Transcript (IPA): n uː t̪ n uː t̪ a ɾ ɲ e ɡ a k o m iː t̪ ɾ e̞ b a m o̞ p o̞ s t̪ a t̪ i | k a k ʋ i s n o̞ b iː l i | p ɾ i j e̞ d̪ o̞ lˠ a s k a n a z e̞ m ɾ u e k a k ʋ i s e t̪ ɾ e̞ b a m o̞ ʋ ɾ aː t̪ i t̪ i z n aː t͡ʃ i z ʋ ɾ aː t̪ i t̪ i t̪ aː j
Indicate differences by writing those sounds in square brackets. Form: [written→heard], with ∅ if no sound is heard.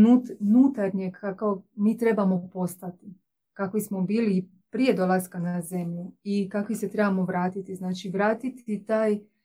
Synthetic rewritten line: n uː t̪ n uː t̪ a ɾ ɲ e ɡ a k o m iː t̪ ɾ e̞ b a m o̞ p o̞ s t̪ a t̪ i | k a k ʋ i s [n→m] o̞ b iː l i | p ɾ i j e̞ d̪ o̞ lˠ a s k a n a z e̞ m [ɾ→ʎ] u [e→i] k a k ʋ i s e t̪ ɾ e̞ b a m o̞ ʋ ɾ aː t̪ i t̪ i z n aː t͡ʃ i [z→∅] ʋ ɾ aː t̪ i t̪ i t̪ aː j